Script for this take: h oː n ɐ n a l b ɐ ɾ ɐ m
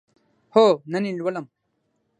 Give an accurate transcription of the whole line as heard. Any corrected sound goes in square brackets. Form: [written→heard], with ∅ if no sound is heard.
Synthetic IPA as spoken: h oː n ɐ n [a→i] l [b→w] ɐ [ɾ→l] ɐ m